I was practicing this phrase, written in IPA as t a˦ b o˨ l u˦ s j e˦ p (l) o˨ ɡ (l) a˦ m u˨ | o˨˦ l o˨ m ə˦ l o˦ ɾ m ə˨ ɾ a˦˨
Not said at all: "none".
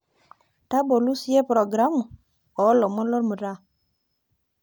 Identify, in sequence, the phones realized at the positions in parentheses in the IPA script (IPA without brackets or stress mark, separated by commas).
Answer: ɾ, ɾ